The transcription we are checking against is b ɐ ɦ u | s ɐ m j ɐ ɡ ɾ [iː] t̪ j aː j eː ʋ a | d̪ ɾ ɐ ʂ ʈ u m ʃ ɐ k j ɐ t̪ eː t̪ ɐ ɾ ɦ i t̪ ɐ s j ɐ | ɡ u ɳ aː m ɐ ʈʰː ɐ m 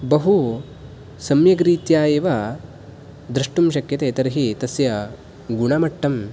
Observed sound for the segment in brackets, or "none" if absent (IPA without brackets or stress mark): iː